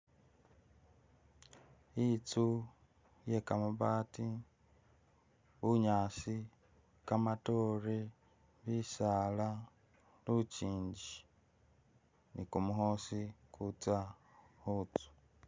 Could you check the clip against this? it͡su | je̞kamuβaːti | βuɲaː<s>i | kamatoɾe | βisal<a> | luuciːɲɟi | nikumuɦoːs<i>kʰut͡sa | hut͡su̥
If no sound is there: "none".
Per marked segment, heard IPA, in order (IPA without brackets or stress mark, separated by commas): s, a, i